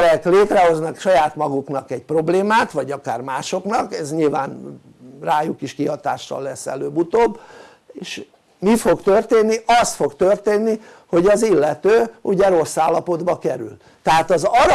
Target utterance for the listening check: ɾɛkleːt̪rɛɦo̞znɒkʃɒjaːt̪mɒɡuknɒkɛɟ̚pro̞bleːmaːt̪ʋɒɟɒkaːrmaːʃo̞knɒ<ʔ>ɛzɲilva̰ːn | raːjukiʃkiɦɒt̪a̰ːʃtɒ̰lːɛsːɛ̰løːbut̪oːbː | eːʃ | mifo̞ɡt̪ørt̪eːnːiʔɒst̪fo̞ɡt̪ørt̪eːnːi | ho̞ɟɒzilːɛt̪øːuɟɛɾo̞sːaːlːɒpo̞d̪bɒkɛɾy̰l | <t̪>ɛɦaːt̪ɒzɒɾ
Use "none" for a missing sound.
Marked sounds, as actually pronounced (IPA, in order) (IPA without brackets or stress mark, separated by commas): k, t̪